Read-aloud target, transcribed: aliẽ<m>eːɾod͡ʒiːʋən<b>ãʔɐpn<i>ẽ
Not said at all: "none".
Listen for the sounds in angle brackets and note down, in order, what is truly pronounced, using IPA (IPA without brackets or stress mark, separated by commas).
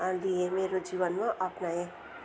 m, m, a